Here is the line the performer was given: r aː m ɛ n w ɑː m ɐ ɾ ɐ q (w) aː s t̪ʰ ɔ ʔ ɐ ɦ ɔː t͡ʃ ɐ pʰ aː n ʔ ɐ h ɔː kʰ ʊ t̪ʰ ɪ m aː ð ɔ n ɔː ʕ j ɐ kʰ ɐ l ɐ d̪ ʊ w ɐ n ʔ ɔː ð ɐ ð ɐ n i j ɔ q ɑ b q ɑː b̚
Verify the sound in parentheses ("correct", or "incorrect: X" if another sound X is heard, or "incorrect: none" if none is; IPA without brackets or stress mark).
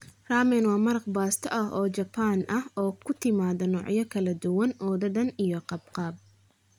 incorrect: b